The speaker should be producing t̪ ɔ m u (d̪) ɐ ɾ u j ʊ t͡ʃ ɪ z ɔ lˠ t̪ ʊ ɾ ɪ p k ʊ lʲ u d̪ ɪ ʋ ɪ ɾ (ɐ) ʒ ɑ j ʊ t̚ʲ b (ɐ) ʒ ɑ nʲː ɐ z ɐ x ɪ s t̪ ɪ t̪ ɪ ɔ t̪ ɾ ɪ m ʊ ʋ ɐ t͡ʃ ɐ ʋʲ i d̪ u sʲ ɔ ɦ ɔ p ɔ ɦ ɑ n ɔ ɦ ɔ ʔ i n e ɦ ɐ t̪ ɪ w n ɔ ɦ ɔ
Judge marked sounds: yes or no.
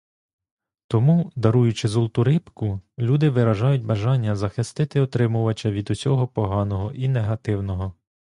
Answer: yes, yes, yes

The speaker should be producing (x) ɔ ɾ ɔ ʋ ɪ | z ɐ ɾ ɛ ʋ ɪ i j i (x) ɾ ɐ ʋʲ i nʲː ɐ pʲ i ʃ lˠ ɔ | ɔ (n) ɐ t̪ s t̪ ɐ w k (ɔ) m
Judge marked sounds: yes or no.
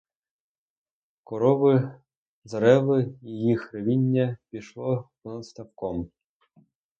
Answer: no, yes, yes, yes

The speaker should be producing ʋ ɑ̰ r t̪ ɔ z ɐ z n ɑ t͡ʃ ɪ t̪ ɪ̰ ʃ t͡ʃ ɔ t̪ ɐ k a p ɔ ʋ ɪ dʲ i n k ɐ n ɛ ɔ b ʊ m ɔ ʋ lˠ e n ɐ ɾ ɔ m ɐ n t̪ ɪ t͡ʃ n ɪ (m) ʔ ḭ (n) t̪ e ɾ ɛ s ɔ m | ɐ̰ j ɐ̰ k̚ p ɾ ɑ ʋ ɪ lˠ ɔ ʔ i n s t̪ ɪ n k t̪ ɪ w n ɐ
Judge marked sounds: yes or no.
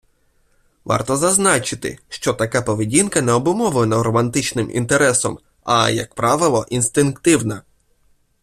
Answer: yes, yes

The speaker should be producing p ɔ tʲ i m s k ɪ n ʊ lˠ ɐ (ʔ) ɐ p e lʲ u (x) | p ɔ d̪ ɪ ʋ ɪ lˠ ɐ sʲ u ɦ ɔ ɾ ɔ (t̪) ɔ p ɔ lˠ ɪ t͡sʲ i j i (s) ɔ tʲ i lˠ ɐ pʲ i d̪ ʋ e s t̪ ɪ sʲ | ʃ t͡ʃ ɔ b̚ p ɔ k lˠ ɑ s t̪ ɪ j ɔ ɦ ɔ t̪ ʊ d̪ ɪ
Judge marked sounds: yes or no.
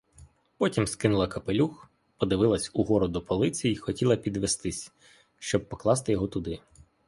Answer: no, yes, no, no

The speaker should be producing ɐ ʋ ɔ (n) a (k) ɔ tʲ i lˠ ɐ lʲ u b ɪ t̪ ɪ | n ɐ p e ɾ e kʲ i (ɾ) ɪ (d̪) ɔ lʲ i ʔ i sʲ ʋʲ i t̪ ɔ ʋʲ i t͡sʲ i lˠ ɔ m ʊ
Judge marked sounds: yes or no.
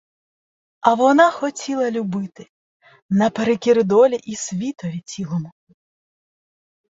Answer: yes, no, yes, yes

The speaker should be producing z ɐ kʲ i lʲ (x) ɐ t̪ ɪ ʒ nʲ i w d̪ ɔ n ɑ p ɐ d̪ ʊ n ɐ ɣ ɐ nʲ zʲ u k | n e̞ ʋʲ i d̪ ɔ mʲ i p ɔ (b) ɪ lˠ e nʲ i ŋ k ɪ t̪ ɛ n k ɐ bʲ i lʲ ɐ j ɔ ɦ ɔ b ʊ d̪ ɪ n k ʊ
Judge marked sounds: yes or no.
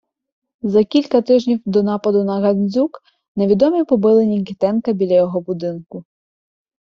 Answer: no, yes

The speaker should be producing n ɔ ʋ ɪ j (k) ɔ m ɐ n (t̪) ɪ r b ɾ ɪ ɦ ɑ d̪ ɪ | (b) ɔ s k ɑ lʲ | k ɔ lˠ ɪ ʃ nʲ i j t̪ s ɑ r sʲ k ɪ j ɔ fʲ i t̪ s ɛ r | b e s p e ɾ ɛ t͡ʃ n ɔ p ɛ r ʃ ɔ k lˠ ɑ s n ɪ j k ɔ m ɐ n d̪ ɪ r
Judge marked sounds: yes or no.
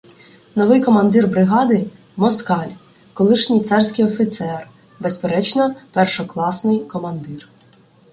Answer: yes, no, no

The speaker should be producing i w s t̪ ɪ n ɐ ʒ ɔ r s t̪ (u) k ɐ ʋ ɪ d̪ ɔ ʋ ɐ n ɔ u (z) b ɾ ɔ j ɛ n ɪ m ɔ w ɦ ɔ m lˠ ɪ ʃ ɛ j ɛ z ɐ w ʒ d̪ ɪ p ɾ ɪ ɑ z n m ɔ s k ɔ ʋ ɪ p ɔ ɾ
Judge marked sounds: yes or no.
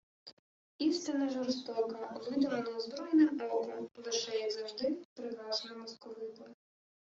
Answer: no, yes

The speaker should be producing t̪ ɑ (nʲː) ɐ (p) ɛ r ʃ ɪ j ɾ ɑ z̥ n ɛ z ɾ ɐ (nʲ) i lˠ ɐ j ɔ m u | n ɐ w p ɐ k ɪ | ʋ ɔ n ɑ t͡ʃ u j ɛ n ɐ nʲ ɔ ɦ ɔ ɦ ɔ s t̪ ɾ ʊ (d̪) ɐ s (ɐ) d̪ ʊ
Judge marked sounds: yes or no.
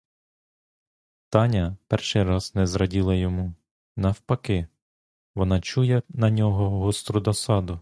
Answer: no, yes, no, yes, no

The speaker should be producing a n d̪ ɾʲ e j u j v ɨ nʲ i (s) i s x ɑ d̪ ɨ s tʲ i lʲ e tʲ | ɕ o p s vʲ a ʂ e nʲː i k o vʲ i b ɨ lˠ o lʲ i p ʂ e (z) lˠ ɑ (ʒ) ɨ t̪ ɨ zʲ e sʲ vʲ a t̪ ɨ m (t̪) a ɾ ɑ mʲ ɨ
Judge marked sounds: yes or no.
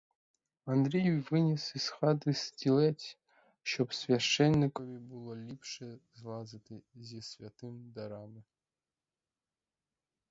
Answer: yes, yes, no, no

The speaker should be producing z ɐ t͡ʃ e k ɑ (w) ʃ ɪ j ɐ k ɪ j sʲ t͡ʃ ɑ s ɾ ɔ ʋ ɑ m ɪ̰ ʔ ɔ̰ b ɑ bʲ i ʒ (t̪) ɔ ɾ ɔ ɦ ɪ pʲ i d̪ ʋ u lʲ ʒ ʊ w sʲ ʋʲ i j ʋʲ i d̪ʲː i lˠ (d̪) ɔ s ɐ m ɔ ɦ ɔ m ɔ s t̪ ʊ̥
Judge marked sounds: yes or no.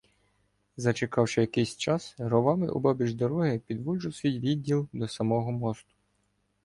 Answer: yes, no, yes

